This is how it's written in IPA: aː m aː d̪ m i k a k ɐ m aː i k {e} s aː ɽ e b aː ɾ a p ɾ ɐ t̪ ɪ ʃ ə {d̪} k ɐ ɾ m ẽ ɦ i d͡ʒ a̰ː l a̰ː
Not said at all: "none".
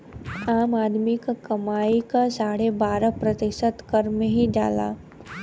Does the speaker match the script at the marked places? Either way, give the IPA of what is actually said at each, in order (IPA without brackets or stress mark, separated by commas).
a, t̪